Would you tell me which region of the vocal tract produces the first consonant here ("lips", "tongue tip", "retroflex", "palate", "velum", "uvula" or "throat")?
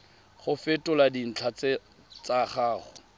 uvula